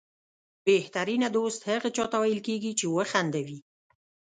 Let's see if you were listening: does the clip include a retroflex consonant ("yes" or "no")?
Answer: no